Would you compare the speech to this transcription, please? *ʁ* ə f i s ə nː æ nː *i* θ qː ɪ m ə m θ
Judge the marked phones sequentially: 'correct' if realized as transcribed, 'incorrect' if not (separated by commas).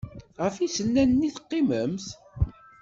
correct, correct